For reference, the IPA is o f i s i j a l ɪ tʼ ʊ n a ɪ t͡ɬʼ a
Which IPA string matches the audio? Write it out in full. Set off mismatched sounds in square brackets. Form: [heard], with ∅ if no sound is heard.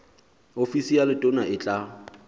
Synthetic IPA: o f i s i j a l ɪ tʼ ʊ n a ɪ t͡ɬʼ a